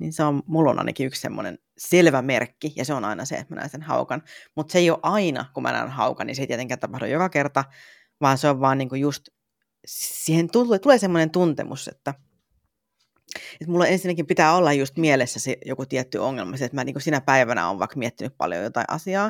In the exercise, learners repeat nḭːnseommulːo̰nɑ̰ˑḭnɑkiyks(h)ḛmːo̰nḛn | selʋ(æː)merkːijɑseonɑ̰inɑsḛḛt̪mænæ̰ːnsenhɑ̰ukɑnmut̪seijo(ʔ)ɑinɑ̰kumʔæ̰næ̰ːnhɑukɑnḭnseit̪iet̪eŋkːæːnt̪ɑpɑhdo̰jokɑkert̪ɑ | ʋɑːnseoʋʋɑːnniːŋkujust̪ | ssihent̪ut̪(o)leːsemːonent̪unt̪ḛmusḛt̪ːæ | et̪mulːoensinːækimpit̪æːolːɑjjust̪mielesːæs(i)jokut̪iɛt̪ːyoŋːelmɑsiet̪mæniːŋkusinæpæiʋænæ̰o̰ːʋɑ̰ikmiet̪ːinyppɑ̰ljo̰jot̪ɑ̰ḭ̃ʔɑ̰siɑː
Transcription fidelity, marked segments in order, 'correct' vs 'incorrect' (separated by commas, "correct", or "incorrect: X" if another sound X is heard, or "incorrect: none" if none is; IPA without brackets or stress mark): incorrect: s, incorrect: æ, correct, incorrect: u, incorrect: e